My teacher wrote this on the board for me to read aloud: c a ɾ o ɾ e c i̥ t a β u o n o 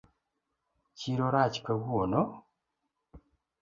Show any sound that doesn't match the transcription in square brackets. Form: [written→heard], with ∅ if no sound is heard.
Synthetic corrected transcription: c [a→i] ɾ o ɾ [e→a] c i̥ [t→k] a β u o n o